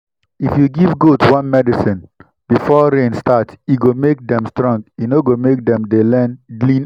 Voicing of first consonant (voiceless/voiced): voiceless